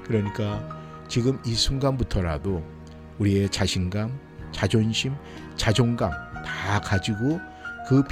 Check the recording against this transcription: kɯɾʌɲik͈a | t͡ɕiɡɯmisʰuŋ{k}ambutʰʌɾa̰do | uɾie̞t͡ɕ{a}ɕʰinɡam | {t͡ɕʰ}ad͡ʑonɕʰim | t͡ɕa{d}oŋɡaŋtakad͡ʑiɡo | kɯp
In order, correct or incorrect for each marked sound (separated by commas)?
incorrect, correct, incorrect, incorrect